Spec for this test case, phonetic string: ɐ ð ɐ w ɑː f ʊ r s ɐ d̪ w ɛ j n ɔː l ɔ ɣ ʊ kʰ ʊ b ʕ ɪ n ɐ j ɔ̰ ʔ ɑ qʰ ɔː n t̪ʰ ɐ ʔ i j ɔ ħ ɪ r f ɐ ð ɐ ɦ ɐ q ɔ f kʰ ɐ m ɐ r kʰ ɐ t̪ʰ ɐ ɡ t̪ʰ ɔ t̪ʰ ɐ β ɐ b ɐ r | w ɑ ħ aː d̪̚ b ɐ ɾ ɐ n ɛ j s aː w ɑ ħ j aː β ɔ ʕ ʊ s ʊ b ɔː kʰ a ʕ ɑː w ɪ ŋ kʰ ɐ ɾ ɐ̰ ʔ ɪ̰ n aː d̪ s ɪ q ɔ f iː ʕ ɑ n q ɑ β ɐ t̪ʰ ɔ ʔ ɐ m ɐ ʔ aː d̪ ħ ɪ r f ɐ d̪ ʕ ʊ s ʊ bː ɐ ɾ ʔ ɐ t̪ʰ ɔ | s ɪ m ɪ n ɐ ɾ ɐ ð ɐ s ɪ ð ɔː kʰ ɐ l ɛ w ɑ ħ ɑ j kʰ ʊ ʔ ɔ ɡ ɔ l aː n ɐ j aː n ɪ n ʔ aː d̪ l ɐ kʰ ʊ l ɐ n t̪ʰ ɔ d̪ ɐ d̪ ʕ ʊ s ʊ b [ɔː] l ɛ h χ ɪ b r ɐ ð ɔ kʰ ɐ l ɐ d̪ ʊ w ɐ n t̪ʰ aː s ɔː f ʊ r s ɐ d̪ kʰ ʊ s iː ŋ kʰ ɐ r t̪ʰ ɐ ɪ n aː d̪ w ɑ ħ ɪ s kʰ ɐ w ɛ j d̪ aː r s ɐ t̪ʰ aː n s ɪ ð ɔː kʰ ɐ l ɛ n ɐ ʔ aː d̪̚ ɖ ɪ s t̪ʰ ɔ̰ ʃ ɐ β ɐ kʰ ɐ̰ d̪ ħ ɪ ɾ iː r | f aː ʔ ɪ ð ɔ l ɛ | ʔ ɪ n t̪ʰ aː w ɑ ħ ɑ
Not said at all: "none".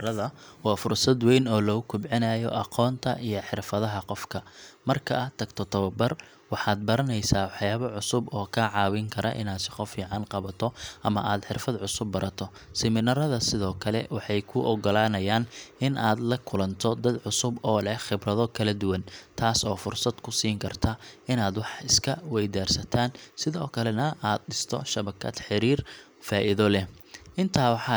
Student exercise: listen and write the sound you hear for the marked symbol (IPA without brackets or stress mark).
ɔː